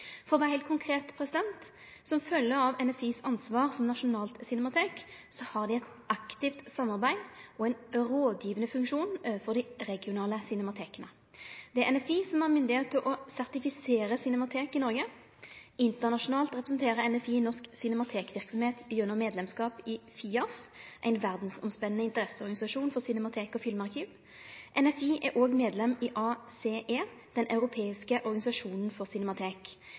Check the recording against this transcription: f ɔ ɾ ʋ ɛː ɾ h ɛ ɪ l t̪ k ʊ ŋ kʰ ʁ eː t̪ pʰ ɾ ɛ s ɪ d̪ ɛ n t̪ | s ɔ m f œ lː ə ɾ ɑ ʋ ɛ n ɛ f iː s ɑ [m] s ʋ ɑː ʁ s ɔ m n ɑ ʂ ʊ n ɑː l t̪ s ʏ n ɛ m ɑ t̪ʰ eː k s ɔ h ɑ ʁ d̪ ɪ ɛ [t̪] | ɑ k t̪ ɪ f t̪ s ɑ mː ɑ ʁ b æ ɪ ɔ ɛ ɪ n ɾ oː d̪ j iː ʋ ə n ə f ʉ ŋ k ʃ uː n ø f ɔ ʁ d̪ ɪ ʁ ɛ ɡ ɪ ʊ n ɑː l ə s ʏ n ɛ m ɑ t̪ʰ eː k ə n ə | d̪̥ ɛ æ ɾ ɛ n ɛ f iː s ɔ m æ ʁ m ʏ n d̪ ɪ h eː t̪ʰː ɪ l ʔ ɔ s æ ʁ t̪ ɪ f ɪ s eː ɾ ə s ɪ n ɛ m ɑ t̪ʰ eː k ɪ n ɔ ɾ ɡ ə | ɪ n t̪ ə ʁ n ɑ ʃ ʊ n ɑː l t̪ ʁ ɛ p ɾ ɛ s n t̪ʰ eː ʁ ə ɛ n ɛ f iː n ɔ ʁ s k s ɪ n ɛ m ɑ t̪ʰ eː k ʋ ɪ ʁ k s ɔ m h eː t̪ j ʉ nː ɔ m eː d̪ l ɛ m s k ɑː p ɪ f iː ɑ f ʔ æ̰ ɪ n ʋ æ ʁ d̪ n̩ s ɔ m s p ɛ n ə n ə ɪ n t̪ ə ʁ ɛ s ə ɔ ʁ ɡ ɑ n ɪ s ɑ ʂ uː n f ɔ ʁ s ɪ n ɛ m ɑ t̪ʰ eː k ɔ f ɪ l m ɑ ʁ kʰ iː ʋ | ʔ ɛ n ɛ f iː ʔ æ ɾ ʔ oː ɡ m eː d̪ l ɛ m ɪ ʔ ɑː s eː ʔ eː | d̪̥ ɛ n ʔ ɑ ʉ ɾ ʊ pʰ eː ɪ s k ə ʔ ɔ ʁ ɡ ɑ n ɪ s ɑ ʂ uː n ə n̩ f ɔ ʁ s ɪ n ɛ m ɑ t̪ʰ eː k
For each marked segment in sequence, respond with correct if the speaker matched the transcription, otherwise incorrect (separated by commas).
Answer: incorrect, correct